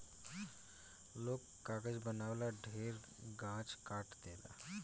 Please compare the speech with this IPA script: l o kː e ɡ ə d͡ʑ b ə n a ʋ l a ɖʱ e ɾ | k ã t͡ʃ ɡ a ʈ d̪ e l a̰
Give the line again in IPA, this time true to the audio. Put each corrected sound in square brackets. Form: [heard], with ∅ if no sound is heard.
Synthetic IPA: l o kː [a] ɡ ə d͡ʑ b ə n a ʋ l a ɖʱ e ɾ | [ɡ] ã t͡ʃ [k] a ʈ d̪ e l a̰